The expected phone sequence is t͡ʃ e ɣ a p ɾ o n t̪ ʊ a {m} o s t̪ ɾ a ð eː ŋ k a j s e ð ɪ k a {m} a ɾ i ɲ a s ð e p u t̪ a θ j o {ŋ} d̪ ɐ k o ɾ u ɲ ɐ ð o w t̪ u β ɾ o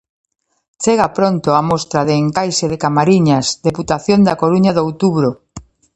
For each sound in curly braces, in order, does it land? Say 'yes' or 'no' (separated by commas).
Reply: yes, yes, no